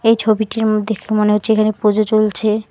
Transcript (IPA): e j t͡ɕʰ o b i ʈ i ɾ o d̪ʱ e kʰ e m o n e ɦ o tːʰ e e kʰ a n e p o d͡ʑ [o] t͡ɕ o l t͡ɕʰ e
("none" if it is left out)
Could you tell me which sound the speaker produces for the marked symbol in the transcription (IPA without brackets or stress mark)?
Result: o